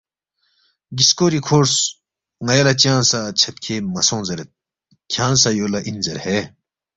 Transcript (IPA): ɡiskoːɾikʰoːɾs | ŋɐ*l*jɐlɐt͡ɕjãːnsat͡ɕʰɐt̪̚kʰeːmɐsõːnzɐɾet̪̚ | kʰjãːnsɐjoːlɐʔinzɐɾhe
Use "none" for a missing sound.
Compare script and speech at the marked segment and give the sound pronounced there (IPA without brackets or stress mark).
none